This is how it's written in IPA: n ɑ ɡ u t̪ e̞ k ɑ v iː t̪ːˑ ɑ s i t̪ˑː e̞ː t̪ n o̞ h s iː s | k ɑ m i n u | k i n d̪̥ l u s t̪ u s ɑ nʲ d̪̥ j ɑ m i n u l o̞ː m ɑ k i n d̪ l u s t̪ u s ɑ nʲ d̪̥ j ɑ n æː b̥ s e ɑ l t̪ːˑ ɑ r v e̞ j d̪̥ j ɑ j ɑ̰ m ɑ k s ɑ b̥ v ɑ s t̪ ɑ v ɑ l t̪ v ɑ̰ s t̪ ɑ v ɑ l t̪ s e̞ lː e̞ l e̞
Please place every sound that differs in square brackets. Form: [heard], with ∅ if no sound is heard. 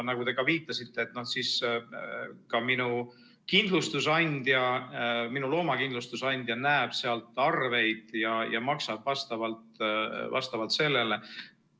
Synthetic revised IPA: n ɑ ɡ u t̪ e̞ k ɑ v iː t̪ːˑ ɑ s i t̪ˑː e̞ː t̪ n o̞ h s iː s | k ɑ m i n u | k i n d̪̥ l u s t̪ u s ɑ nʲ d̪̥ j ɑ m i n u l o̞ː m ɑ k i n d̪ l u s t̪ u s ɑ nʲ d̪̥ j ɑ n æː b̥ s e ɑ l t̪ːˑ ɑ r v e̞ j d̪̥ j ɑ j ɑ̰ m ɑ k s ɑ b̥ v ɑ s t̪ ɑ v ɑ l t̪ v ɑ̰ s t̪ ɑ v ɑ l t̪ s e̞ lː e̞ l e̞

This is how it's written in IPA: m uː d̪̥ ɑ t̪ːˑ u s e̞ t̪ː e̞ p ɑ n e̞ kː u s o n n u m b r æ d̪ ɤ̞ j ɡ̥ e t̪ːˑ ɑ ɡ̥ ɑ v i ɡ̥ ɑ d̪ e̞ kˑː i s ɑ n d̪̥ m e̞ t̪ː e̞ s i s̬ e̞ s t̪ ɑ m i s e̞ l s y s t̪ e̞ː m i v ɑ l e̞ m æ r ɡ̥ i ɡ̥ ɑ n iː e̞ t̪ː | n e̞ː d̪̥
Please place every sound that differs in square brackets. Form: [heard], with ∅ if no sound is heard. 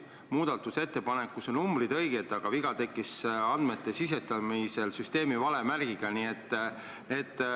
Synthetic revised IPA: m uː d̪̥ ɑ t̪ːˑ u s e̞ t̪ː e̞ p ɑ n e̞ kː u s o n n u m b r [i] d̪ ɤ̞ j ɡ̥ e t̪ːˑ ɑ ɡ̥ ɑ v i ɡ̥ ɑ [t̪] e̞ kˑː i s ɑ n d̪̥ m e̞ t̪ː e̞ s i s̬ e̞ s t̪ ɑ m i s e̞ l s y s t̪ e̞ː m i v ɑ l e̞ m æ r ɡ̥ i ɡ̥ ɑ n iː e̞ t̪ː | n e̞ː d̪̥

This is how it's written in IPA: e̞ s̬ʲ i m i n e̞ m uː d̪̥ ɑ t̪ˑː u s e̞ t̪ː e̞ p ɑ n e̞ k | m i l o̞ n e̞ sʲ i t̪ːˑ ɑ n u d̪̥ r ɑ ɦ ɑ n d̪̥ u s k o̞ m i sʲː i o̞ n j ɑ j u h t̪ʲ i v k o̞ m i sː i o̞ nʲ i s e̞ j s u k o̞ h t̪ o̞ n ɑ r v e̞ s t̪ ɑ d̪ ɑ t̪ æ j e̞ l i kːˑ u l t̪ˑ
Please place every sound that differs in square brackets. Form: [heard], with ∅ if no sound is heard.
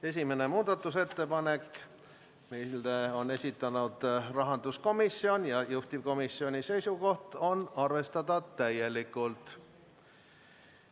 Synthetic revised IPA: e̞ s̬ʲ i m [e] n e̞ m uː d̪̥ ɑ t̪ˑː u s e̞ t̪ː e̞ p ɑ n e̞ k | m i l o̞ n e̞ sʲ i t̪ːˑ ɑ n u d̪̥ r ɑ ɦ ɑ n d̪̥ u s k o̞ m i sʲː i o̞ n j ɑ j u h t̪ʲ i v k o̞ m i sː i o̞ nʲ i s e̞ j s u k o̞ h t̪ o̞ n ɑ r v e̞ s t̪ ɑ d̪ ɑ t̪ æ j e̞ l i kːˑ u l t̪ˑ

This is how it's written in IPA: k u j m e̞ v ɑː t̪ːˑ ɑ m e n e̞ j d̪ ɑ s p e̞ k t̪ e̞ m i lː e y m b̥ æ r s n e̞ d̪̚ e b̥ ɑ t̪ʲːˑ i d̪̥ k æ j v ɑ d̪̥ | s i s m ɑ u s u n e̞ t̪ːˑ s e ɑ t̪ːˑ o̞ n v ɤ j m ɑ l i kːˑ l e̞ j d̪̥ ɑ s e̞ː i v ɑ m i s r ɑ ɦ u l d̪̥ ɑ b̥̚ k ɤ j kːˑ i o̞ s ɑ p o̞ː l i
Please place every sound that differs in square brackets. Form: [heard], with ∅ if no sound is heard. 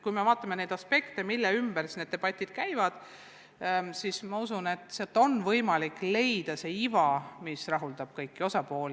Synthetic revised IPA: k u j m e̞ v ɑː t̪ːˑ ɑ m e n e̞ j d̪ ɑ s p e̞ k t̪ e̞ m i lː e y m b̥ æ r s n e̞ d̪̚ e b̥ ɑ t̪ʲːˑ i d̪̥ k æ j v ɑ d̪̥ | s i s m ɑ u s u n e̞ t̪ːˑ s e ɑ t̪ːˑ o̞ n v ɤ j m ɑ l i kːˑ l e̞ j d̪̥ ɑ s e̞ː i v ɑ m i s r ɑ ɦ u l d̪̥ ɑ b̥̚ k ɤ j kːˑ i o̞ s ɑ p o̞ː l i

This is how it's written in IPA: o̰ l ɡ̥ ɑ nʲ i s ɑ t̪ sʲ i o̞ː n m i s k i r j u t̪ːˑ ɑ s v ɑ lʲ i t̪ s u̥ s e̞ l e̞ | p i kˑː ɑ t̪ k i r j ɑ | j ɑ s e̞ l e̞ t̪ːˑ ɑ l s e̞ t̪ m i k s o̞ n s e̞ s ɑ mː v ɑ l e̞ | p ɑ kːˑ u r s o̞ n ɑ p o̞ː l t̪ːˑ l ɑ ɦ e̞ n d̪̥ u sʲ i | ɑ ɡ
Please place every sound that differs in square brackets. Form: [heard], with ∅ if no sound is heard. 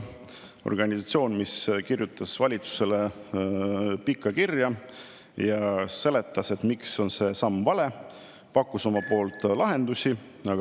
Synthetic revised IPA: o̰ [r] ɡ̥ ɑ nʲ i s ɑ t̪ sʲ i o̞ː n m i s k i r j u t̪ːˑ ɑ s v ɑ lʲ i t̪ s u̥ s e̞ l e̞ | p i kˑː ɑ [∅] k i r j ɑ | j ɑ s e̞ l e̞ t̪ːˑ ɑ [∅] s e̞ t̪ m i k s o̞ n s e̞ s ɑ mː v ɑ l e̞ | p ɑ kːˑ u [∅] s o̞ [m] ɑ p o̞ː l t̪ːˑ l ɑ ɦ e̞ n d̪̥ u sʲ i | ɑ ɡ

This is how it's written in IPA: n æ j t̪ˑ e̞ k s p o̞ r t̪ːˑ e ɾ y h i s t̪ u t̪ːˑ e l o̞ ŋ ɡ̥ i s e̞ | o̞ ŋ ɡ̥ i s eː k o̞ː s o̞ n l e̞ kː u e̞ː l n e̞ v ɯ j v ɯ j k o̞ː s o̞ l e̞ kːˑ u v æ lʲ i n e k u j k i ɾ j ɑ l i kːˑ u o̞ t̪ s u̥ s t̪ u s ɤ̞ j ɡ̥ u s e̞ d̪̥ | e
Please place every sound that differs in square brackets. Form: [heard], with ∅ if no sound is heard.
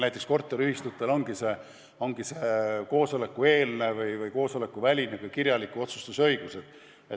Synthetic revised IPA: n æ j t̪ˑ e̞ k s [k] o̞ r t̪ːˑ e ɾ y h i s t̪ u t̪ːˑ e l o̞ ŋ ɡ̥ i s e̞ | o̞ ŋ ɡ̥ i s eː k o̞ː s o̞ [∅] l e̞ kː u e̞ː l n e̞ v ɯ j v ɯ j k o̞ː s o̞ l e̞ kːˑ u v æ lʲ i n e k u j k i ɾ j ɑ l i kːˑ u o̞ t̪ s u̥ s t̪ u s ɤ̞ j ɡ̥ u s e̞ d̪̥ | e

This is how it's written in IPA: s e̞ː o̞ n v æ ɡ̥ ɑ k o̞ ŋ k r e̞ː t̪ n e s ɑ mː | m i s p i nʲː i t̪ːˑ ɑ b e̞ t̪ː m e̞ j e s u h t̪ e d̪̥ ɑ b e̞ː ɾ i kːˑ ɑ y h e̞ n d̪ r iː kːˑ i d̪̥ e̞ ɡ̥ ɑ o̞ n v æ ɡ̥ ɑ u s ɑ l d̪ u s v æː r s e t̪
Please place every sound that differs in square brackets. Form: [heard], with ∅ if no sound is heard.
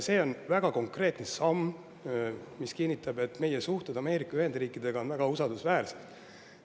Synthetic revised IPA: s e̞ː o̞ n v æ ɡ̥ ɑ k o̞ ŋ k r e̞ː t̪ n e s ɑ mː | m i s [k] i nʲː i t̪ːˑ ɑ b e̞ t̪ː m e̞ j e s u h t̪ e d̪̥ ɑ [m] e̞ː ɾ i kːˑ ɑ y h e̞ n d̪ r iː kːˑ i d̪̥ e̞ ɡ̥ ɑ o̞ n v æ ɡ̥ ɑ u s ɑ l d̪ u s v æː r s e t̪

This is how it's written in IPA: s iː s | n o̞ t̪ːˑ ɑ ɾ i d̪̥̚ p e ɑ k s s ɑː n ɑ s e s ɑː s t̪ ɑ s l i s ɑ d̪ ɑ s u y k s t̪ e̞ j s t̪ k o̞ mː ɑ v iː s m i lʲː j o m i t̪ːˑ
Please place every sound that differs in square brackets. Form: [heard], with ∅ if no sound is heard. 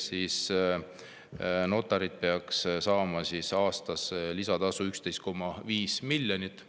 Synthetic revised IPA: s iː s | n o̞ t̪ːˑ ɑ ɾ i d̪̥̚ p e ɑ k s s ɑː [m] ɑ s [i] s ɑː s t̪ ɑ s l i s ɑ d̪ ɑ s u y k s t̪ e̞ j s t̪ k o̞ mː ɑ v iː s m i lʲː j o [n] i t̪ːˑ

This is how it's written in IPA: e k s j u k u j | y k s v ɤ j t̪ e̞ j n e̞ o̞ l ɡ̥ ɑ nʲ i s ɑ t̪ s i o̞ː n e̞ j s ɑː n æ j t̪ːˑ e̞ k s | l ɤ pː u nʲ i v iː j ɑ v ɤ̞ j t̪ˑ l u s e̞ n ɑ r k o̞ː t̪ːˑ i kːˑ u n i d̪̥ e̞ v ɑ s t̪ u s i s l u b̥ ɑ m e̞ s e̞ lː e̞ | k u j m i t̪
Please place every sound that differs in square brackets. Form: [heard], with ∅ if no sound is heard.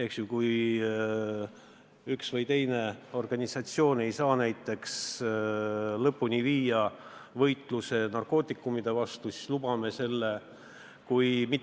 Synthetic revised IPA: e k s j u k u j | y k s v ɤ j t̪ e̞ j n e̞ o̞ [r] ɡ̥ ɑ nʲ i s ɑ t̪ s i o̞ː n e̞ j s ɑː n æ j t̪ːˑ e̞ k s | l ɤ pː u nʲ i v iː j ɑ v ɤ̞ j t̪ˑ l u s e̞ n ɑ r k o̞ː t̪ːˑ i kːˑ u [m] i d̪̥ e̞ v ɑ s t̪ u s i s l u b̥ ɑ m e̞ s e̞ lː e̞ | k u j m i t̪

